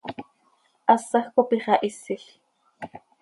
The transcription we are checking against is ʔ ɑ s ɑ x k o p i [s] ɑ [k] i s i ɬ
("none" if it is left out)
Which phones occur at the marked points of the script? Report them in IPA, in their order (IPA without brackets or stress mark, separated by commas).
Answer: χ, ʔ